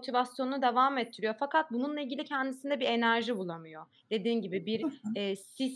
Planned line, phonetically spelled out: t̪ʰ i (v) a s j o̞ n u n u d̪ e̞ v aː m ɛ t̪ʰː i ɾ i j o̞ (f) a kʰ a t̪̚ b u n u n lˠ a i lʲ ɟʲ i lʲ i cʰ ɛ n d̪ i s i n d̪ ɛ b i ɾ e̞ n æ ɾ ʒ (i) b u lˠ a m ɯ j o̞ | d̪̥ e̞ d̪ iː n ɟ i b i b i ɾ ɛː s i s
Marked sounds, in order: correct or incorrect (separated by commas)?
correct, correct, correct